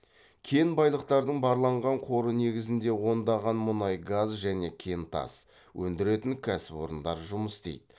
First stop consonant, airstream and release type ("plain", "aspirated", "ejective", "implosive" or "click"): aspirated